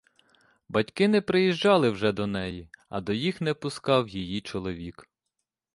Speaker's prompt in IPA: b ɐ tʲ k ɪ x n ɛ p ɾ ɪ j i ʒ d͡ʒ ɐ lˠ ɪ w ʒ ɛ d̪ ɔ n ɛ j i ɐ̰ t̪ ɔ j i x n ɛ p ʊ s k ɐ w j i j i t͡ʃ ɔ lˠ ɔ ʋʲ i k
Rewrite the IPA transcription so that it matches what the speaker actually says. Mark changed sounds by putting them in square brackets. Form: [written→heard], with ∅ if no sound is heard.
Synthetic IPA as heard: b ɐ tʲ k ɪ [x→∅] n ɛ p ɾ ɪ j i ʒ d͡ʒ [ɐ→ɑ] lˠ ɪ w ʒ ɛ d̪ ɔ n ɛ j i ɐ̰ [t̪→d̪] ɔ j i x n ɛ p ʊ s k [ɐ→ɑ] w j i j i t͡ʃ ɔ lˠ ɔ ʋʲ i k